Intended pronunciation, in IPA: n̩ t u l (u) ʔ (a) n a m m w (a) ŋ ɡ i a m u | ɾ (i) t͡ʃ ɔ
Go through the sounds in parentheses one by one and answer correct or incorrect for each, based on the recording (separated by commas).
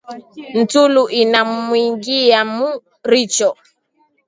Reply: correct, incorrect, incorrect, correct